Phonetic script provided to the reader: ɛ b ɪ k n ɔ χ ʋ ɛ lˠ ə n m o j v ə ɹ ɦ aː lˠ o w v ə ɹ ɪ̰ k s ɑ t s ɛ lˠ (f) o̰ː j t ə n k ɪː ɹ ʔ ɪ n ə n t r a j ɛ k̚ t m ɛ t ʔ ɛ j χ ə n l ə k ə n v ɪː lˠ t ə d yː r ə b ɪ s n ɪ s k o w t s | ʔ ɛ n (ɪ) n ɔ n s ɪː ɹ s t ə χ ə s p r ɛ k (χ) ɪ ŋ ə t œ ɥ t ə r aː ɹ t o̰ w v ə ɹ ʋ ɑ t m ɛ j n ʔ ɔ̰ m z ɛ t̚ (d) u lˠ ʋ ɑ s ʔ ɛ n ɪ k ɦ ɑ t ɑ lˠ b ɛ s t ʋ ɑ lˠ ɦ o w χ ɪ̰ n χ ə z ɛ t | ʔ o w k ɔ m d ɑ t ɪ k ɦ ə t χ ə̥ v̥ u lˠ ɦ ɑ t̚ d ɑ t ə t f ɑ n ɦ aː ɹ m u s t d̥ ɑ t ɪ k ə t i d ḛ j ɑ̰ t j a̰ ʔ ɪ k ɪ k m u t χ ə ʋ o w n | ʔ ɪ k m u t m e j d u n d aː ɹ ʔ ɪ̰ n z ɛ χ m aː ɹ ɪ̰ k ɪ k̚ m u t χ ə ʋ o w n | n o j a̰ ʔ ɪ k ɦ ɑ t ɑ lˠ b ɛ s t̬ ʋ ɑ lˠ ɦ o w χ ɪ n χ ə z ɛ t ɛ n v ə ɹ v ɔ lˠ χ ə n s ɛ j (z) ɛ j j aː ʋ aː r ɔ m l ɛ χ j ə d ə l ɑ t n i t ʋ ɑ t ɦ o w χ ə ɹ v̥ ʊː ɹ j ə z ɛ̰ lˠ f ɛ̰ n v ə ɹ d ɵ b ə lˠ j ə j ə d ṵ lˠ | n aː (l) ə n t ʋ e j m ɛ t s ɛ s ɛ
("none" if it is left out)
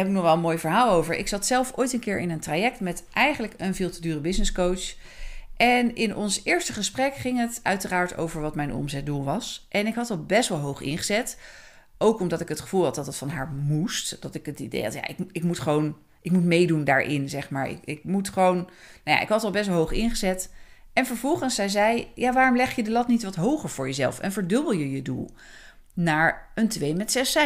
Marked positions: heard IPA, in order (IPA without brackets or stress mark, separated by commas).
f, ɪ, χ, d, z, ɹ